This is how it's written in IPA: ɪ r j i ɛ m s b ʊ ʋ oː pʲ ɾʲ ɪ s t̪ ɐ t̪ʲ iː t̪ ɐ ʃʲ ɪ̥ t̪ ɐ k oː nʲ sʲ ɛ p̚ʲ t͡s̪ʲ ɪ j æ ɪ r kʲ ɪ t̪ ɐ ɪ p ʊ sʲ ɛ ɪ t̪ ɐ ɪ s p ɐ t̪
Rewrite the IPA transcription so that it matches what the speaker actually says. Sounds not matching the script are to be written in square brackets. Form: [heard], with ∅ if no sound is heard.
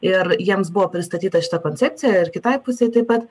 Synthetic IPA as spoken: ɪ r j i ɛ m s b ʊ ʋ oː pʲ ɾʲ ɪ s t̪ ɐ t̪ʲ iː t̪ ɐ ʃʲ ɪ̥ t̪ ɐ k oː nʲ [t͡sʲ] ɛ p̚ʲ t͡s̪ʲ ɪ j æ ɪ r kʲ ɪ t̪ ɐ ɪ p ʊ sʲ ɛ ɪ t̪ ɐ ɪ [∅] p ɐ t̪